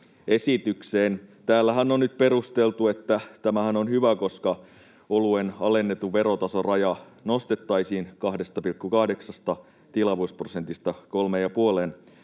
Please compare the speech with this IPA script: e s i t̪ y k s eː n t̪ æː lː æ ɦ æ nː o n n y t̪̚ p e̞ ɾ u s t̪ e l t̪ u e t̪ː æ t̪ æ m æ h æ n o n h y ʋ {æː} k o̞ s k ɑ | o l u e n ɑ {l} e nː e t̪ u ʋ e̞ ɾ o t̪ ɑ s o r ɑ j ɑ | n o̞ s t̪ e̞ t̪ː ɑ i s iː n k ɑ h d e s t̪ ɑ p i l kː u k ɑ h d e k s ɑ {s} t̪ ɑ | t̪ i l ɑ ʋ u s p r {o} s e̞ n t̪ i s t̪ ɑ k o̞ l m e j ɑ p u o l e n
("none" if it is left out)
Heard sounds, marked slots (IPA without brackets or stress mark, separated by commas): æ, l, s, o